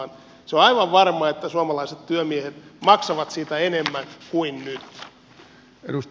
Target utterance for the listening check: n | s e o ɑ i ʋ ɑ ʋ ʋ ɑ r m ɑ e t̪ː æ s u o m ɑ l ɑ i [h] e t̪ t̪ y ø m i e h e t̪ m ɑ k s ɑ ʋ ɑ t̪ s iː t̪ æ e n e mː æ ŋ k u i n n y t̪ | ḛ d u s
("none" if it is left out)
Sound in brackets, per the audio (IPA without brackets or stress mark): s